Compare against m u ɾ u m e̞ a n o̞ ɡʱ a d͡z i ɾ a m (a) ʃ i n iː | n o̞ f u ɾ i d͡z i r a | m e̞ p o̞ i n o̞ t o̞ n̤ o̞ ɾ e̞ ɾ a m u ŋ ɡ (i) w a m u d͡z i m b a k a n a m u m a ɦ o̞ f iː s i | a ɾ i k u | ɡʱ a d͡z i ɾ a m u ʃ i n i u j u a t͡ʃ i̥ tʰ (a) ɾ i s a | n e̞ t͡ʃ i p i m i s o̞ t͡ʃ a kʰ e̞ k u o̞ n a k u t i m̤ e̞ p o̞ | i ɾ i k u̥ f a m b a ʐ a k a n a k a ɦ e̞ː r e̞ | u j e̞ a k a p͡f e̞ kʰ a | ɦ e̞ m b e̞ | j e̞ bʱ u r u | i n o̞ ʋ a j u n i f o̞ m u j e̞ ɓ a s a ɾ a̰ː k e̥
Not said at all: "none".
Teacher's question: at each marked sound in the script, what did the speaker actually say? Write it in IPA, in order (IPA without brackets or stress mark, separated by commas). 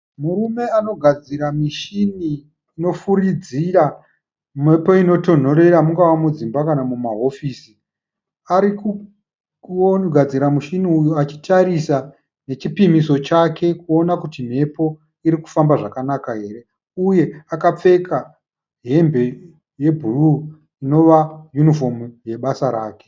i, a, a